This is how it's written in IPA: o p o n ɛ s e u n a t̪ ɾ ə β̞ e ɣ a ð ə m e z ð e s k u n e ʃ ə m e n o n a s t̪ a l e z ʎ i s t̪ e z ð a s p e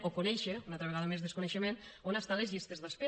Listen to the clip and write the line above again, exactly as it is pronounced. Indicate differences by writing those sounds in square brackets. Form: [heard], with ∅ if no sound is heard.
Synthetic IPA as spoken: o [k] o n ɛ [ʃ] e u n a t̪ ɾ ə β̞ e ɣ a ð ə m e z ð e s k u n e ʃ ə m e n o n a s t̪ a l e z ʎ i s t̪ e z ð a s p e